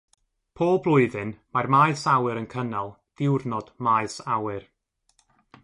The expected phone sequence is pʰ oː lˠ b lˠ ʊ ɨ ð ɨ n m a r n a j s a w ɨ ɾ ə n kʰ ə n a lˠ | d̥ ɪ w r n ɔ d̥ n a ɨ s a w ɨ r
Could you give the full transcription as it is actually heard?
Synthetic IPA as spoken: pʰ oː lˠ b lˠ ʊ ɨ ð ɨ n m a r m a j s a w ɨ ɾ ə n kʰ ə n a lˠ | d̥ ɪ w r n ɔ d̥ m a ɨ s a w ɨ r